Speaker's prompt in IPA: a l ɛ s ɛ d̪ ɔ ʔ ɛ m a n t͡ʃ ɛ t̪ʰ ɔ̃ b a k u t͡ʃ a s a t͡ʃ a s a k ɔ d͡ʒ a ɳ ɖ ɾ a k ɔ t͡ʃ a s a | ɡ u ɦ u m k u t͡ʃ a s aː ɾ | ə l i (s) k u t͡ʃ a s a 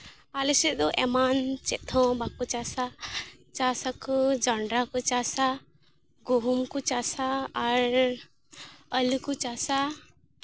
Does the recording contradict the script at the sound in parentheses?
yes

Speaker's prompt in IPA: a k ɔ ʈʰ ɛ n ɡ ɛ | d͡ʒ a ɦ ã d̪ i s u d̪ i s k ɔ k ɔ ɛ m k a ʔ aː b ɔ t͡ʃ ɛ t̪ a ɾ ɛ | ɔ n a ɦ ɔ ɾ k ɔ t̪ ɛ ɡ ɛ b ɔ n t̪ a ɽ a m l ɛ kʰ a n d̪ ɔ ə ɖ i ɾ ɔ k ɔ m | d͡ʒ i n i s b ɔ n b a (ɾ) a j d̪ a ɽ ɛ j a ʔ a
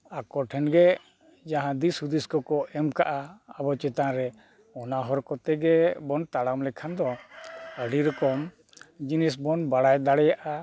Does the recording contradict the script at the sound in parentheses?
yes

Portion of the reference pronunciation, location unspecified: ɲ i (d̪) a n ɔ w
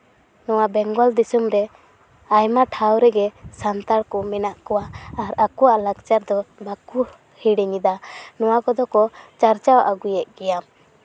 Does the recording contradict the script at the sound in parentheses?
no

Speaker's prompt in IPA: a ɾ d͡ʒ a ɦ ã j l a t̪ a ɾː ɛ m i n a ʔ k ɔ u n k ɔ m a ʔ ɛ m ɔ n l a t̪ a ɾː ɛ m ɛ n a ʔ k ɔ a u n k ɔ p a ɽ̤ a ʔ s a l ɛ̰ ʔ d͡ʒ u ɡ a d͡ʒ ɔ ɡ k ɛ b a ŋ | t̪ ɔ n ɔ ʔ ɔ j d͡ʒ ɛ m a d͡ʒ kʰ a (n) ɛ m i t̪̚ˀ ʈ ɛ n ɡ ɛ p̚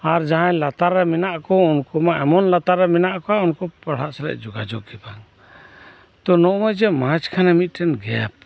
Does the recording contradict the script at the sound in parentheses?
no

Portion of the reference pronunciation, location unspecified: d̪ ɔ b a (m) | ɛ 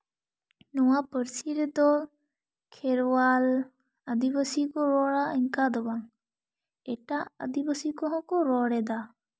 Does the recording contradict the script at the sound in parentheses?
yes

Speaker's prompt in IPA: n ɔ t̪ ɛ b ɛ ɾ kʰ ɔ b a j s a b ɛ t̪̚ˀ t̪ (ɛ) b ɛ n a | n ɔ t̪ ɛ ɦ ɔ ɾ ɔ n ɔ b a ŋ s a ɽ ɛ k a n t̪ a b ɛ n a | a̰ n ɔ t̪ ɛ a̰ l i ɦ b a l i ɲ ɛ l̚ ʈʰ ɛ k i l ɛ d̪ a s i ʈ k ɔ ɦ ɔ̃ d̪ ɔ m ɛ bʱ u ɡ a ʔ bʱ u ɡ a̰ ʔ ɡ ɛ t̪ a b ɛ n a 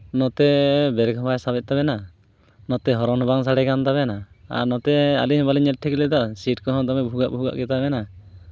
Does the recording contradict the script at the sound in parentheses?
yes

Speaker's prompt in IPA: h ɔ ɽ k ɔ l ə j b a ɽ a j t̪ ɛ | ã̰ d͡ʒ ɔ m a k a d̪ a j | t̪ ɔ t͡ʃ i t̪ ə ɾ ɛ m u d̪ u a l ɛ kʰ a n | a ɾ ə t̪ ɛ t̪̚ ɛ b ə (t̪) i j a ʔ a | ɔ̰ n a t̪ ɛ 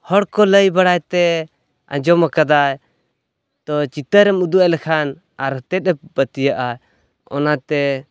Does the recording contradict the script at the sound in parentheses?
no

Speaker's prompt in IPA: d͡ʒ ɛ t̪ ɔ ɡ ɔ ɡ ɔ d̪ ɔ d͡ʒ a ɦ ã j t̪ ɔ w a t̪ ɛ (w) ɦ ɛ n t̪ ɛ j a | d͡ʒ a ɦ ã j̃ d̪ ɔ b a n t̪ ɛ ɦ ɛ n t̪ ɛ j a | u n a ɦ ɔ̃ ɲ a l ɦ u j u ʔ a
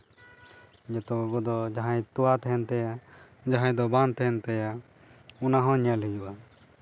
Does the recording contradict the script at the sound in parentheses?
yes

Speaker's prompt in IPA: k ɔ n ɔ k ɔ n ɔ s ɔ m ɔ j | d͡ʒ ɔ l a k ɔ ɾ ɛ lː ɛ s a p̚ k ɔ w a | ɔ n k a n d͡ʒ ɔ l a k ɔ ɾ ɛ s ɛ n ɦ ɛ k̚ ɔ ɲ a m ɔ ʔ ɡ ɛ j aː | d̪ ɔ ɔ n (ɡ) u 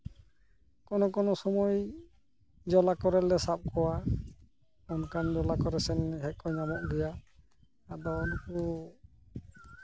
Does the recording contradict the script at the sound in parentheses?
yes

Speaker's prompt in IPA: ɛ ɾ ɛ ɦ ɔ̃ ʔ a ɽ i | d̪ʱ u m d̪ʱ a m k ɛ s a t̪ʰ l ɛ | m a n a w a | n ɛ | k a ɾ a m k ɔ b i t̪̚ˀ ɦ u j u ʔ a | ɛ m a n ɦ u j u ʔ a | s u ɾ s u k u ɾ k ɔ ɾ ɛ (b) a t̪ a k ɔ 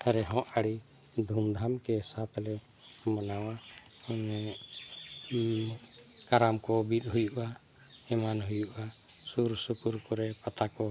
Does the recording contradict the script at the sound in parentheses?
yes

